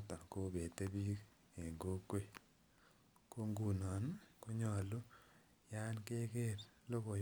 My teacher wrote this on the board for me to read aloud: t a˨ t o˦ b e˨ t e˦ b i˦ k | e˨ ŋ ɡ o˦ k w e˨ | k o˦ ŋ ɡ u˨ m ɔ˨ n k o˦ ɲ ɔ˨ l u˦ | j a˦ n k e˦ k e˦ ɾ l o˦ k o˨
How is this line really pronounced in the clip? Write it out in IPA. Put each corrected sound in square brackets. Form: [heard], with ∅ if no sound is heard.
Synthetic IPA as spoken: t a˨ [k] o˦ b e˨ t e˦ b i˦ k | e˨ ŋ ɡ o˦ k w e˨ | k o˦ ŋ ɡ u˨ [n] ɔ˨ n k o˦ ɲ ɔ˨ l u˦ | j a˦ n k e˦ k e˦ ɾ l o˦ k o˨

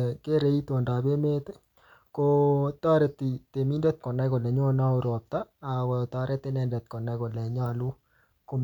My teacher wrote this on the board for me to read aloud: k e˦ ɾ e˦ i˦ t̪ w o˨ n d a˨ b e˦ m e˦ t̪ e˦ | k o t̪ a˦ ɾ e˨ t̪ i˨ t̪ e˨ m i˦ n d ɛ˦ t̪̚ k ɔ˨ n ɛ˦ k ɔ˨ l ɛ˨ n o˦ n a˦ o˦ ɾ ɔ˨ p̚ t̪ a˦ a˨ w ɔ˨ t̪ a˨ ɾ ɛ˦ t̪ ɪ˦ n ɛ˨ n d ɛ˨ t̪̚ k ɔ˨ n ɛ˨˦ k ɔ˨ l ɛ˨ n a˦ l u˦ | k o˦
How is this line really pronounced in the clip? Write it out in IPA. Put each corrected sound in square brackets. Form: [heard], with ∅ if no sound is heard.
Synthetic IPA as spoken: k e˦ ɾ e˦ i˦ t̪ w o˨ n d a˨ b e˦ m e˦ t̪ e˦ | k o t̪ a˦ ɾ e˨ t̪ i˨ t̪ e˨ m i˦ n d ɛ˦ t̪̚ k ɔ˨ n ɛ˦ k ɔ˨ l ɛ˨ [ɲ] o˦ n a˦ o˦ ɾ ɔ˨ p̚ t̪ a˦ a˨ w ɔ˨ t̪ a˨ ɾ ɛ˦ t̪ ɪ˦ n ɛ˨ n d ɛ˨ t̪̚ k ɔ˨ n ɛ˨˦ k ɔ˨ l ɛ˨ [ɲ] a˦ l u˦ | k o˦

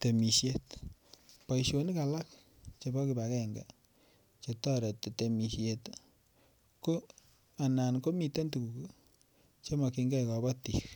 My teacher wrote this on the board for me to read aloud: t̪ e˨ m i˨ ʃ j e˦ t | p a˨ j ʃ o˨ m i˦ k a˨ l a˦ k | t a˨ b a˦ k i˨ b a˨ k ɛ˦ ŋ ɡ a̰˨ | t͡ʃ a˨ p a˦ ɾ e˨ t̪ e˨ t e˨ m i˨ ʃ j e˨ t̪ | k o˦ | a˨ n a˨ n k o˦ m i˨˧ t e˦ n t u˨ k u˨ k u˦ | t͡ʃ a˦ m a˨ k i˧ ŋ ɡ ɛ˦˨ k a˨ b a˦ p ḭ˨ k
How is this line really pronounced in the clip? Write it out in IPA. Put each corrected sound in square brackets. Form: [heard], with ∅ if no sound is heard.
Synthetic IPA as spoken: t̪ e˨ m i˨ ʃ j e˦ t | p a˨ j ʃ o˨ [n] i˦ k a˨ l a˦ k | [t͡ʃ] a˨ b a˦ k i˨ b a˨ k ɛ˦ ŋ ɡ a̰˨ | t͡ʃ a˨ [t] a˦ ɾ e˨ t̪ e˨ t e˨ m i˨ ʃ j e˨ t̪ | k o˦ | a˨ n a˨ n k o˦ m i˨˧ t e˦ n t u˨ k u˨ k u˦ | t͡ʃ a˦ m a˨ k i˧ ŋ ɡ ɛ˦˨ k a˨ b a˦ [t] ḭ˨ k

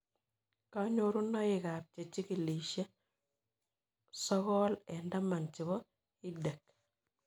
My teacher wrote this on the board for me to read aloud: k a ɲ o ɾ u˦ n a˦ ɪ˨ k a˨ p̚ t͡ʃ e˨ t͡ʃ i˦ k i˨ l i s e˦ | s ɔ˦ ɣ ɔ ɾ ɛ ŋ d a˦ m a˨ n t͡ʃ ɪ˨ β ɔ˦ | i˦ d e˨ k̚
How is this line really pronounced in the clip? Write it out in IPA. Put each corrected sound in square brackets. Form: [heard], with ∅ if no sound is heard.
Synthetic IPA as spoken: k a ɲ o ɾ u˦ n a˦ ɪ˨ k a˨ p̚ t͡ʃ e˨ t͡ʃ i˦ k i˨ l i [ʃ] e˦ | s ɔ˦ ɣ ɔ [l] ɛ [n] d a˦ m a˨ n t͡ʃ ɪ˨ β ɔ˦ | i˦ d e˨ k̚

